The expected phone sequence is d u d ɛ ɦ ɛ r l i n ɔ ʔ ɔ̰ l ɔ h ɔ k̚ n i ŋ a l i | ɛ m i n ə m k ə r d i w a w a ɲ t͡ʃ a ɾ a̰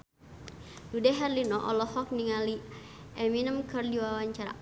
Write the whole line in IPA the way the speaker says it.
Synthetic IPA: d u d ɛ ɦ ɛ r l i n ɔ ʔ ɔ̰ l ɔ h ɔ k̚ n i ŋ a l i | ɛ m i n ə m k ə r d i w a w a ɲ t͡ʃ a ɾ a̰